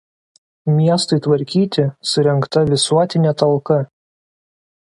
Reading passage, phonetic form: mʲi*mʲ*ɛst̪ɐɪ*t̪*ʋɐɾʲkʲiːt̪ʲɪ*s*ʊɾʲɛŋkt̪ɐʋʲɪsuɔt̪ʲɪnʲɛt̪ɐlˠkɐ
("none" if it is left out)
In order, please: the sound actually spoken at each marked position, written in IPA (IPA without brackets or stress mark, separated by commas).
none, t̪, s